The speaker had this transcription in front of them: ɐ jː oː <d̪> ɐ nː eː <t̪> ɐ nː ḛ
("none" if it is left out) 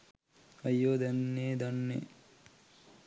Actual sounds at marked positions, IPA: d̪, d̪

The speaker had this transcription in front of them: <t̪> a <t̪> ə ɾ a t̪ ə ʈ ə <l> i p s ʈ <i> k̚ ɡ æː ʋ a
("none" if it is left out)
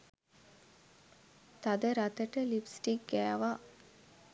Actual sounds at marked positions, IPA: t̪, d̪, l, i

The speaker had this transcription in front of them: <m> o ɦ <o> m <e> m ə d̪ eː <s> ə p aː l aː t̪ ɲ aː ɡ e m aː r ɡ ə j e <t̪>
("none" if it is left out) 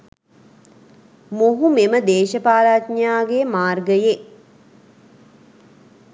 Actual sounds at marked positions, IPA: m, u, e, ʃ, none

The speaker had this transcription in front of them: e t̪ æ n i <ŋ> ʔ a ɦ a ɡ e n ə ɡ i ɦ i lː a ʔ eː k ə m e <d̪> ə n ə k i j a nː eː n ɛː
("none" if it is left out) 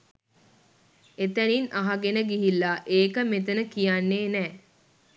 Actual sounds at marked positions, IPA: n, t̪

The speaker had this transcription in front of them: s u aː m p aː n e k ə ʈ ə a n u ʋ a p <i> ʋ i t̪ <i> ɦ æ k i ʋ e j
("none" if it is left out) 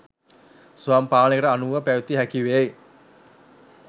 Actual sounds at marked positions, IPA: æ, i

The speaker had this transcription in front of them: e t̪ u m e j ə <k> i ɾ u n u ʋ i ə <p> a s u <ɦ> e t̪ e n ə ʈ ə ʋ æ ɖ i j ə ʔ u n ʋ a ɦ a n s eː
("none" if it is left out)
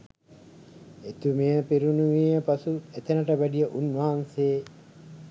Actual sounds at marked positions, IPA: p, p, none

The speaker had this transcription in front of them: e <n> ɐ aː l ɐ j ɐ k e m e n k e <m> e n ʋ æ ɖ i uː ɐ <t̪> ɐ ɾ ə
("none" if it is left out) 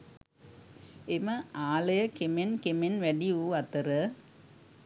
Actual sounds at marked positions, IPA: m, m, t̪

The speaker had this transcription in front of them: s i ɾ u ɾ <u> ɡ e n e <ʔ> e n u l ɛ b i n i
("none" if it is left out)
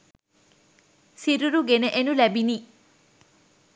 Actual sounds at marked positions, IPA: u, ʔ

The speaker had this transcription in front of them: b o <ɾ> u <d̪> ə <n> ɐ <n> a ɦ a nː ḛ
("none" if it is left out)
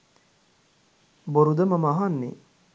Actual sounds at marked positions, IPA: ɾ, d̪, m, m

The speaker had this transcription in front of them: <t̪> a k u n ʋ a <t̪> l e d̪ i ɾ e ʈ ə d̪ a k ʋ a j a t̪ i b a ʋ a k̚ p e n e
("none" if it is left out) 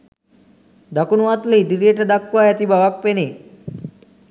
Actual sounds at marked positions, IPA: d̪, t̪

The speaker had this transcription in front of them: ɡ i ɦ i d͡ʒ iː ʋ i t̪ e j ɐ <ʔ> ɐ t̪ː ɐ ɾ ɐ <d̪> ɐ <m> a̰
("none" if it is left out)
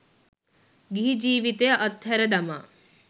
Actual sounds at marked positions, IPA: ʔ, d̪, m

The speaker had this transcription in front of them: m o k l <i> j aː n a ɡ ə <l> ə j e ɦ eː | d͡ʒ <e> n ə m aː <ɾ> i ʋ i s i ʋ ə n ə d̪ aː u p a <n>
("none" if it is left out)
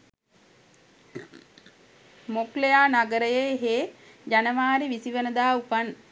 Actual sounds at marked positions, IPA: e, ɾ, a, ɾ, n

